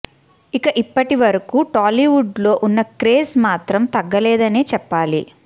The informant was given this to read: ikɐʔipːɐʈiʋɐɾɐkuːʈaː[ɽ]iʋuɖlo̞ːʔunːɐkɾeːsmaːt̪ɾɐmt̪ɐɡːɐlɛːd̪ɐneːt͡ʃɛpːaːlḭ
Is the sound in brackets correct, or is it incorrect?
incorrect: l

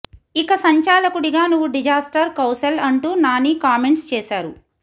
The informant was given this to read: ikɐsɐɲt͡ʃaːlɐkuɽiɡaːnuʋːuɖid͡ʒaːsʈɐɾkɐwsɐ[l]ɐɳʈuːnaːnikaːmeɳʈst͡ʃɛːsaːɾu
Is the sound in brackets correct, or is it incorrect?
correct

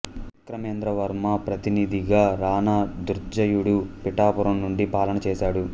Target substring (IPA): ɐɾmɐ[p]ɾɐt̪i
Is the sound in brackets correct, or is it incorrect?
correct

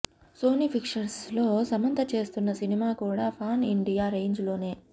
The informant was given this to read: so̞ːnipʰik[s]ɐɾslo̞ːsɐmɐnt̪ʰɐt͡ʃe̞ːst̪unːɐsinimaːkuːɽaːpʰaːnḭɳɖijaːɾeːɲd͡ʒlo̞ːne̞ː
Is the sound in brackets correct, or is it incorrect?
incorrect: ʂ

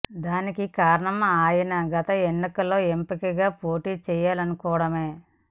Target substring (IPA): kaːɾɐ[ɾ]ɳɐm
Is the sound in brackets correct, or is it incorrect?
incorrect: none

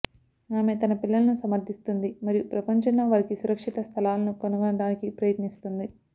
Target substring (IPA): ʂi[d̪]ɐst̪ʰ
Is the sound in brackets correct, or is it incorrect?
incorrect: t̪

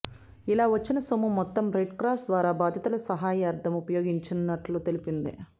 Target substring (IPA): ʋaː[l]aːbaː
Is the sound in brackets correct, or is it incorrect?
incorrect: ɾ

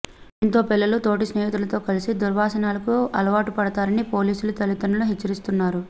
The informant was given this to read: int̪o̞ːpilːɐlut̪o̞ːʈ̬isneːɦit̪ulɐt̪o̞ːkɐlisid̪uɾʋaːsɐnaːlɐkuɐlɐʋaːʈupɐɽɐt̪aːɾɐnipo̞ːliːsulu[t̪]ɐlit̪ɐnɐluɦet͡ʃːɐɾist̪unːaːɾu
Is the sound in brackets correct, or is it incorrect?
correct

